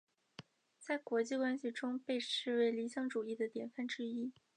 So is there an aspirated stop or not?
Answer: no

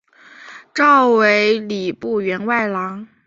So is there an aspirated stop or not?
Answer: no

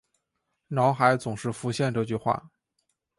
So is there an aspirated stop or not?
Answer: no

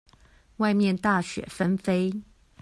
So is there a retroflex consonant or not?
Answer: no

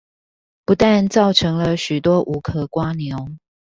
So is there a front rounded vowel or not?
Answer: yes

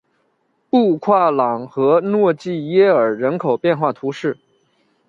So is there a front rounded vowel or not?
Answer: no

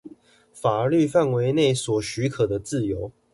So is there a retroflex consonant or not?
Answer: no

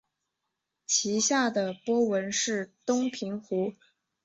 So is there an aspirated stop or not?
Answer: yes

